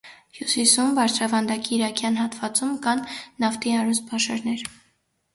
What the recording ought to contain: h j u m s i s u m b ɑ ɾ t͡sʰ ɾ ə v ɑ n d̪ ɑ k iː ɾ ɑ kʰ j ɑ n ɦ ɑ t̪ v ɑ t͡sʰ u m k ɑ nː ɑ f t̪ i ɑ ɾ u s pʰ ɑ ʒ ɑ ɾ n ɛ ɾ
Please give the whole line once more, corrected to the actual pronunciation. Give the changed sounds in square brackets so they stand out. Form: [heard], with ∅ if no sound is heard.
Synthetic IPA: h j u [∅] s i s u m b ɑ ɾ t͡sʰ ɾ [ɑ] v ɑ n d̪ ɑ k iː ɾ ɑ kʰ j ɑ n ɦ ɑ t̪ v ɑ [t͡s] u m k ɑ nː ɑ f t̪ i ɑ ɾ u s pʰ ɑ [ʃ] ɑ ɾ n ɛ ɾ